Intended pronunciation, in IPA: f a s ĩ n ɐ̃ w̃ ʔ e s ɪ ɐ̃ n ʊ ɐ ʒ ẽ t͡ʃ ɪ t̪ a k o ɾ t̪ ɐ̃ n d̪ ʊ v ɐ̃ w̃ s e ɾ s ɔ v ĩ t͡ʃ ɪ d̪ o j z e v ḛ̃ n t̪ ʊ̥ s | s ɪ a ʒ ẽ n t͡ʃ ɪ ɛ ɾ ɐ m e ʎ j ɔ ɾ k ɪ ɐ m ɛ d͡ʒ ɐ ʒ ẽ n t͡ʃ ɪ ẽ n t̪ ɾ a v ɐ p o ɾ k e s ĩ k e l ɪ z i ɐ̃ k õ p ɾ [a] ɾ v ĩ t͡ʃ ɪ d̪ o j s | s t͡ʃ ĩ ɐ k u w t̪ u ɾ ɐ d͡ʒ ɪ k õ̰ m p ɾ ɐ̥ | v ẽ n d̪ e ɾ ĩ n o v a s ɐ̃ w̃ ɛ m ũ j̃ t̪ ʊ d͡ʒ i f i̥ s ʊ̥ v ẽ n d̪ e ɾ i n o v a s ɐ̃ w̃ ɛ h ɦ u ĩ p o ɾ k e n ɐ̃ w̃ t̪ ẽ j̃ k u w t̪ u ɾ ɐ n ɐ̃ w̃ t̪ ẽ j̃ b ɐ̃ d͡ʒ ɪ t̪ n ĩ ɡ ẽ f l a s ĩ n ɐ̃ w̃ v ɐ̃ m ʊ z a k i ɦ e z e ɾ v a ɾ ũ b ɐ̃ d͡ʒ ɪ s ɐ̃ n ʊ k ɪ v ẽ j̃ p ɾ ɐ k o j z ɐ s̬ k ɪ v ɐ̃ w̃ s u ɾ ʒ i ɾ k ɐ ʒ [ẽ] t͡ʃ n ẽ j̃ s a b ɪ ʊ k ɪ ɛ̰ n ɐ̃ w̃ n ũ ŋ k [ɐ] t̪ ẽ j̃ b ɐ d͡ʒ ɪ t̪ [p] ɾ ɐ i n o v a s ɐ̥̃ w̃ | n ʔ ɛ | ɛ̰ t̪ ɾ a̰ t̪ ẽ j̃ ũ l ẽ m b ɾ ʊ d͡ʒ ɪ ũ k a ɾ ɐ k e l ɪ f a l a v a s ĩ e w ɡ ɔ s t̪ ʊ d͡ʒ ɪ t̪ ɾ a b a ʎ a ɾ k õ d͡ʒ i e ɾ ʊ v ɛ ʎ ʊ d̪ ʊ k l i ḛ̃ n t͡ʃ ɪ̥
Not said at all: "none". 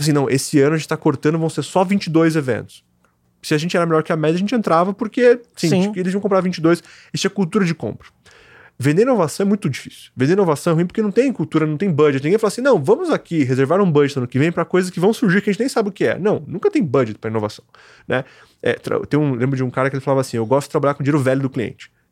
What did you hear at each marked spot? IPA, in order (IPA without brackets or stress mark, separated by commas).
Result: a, ẽ, ɐ, p